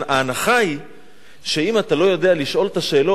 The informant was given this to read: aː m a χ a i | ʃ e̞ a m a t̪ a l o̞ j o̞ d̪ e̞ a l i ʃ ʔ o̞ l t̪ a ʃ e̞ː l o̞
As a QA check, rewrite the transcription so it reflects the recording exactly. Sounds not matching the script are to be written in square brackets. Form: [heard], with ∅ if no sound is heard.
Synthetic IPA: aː [n] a χ a i | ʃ e̞ [i] m a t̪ a l o̞ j o̞ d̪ e̞ a l i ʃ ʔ o̞ l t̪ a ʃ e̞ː l o̞